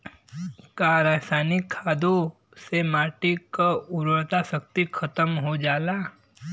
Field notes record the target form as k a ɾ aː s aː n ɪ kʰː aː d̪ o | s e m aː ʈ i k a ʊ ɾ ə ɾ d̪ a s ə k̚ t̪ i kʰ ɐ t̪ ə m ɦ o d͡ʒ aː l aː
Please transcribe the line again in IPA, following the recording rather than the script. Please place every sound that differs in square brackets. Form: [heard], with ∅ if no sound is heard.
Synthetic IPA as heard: k a ɾ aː s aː n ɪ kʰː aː d̪ o | s e m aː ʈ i k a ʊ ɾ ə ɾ [t̪] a s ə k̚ t̪ i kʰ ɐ t̪ ə m ɦ o d͡ʒ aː l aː

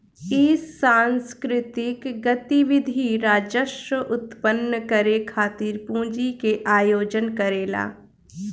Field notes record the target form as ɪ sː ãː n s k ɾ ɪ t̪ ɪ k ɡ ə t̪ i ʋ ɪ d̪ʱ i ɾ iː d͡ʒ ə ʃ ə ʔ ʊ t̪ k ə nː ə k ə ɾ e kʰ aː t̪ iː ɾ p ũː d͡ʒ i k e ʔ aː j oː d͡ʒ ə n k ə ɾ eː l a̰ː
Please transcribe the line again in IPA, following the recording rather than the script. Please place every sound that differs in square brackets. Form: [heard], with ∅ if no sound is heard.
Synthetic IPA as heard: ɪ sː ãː n s k ɾ ɪ t̪ ɪ k ɡ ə t̪ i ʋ ɪ d̪ʱ i ɾ [aː] d͡ʒ ə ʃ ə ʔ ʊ t̪ [p] ə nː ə k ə ɾ e kʰ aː t̪ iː ɾ p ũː d͡ʒ i k e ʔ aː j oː d͡ʒ ə n k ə ɾ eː l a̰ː

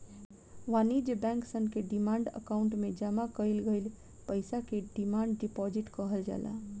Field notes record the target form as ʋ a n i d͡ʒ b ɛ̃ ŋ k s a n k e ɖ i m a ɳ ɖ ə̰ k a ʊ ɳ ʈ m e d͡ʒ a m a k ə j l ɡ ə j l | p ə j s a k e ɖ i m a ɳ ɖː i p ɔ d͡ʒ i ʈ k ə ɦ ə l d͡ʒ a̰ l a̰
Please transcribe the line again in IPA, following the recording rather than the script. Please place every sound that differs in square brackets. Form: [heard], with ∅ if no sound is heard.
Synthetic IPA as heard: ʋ a n i d͡ʒ b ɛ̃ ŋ k s [ə] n k e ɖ i m a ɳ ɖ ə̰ k a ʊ ɳ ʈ m e d͡ʒ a m a k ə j l ɡ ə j l | p ə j s a k e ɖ i m a ɳ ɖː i p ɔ d͡ʒ i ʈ k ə ɦ ə l d͡ʒ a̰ l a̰

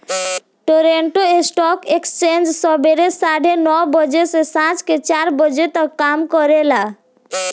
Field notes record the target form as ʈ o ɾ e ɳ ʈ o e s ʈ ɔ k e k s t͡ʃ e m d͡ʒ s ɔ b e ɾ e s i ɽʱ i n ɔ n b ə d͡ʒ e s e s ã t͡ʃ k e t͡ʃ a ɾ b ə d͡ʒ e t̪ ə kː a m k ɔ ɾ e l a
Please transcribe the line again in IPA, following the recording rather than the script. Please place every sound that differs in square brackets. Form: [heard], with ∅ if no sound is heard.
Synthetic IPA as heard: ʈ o ɾ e ɳ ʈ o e s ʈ ɔ k e k s t͡ʃ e [n] d͡ʒ s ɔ b e ɾ e s [a] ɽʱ [e] n ɔ [∅] b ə d͡ʒ e s e s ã t͡ʃ k e t͡ʃ a ɾ b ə d͡ʒ e t̪ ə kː a m k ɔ ɾ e l a

